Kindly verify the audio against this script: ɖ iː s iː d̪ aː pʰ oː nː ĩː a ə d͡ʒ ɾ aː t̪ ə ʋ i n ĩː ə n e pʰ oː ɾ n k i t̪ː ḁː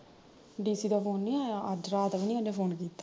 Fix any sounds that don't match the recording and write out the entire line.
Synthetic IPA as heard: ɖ iː s iː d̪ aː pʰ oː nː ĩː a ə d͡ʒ ɾ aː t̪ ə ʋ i n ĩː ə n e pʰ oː n k iː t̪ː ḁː